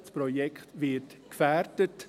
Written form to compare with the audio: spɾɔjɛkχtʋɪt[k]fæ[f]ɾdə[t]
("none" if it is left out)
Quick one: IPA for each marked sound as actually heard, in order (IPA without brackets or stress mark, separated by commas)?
k, none, t